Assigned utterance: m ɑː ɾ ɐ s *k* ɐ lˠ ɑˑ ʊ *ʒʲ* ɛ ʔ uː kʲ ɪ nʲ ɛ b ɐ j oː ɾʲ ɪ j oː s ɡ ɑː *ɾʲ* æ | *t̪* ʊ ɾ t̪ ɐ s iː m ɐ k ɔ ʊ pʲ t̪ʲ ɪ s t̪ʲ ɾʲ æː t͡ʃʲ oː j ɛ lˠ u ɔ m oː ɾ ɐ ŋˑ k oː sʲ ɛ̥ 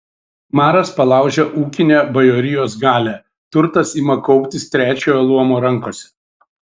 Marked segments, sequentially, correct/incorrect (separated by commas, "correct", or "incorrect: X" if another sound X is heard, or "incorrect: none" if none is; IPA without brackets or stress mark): incorrect: p, correct, incorrect: lʲ, correct